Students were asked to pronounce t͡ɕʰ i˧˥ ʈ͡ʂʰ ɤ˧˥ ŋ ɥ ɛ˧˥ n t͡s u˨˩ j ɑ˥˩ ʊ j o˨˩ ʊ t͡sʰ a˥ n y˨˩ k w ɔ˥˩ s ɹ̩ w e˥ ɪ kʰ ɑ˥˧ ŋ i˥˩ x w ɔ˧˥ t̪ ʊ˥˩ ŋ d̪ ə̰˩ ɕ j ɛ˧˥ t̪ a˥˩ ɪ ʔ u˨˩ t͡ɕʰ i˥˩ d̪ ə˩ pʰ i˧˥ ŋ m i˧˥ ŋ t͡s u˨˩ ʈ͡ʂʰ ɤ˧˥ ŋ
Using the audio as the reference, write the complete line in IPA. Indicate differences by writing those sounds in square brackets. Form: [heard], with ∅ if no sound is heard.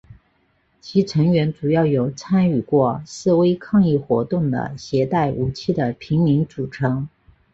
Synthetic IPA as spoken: t͡ɕʰ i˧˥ ʈ͡ʂʰ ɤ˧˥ ŋ ɥ ɛ˧˥ n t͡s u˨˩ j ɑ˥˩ ʊ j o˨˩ ʊ t͡sʰ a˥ n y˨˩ k w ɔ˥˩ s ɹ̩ w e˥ ɪ kʰ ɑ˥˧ ŋ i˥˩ x w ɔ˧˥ t̪ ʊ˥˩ ŋ d̪ ə̰˩ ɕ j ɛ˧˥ t̪ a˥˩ ɪ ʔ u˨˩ t͡ɕʰ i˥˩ d̪ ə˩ pʰ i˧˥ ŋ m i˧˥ ŋ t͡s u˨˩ ʈ͡ʂʰ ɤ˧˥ ŋ